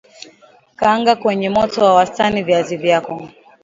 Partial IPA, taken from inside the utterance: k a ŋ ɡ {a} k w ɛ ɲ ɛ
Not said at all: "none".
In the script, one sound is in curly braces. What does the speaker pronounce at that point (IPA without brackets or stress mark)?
a